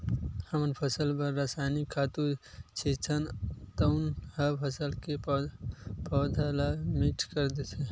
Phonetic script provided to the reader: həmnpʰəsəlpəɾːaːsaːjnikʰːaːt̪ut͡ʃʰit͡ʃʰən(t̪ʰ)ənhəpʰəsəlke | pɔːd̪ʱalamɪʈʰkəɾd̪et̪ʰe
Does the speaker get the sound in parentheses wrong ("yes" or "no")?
yes